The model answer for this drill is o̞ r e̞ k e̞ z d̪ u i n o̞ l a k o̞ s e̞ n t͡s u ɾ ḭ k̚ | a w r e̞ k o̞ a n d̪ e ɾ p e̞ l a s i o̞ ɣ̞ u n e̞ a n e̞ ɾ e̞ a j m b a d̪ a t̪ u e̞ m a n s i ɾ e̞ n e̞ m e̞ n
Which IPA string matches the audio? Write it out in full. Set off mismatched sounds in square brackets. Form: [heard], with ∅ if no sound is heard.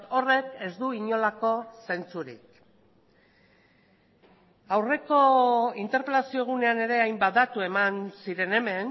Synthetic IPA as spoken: o̞ r e̞ k e̞ z d̪ u i [ɲ] o̞ l a k o̞ s e̞ n t͡s u ɾ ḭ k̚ | a w r e̞ k o̞ [i] n [t̪] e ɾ p e̞ l a s i o̞ ɣ̞ u n e̞ a n e̞ ɾ e̞ a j m b a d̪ a t̪ u e̞ m a n s i ɾ e̞ n e̞ m e̞ n